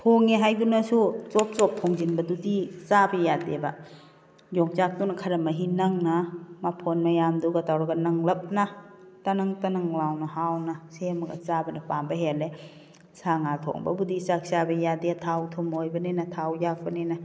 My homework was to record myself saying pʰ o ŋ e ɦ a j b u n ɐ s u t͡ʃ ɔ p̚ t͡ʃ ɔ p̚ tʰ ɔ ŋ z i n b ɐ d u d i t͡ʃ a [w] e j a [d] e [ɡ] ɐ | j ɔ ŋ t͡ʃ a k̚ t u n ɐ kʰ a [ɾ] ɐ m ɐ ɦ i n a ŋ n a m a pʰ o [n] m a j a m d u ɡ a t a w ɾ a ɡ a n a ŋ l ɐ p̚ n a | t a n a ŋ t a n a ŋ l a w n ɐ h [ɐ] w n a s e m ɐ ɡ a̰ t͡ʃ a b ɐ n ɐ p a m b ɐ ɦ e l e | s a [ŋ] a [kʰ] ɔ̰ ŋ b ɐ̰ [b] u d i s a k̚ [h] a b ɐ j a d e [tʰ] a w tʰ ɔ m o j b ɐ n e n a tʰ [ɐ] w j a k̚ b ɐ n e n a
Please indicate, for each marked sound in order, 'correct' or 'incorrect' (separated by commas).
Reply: incorrect, correct, incorrect, correct, correct, incorrect, correct, incorrect, correct, incorrect, correct, incorrect